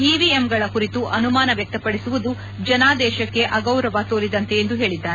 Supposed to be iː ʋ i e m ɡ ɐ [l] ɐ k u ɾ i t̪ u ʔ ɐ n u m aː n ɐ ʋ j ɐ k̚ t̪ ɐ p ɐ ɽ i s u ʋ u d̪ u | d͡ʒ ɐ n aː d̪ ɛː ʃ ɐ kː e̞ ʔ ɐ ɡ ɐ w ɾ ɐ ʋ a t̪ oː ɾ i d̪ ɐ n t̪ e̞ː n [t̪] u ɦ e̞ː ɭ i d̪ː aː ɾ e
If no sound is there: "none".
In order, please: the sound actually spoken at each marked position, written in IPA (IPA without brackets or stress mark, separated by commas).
ɭ, d̪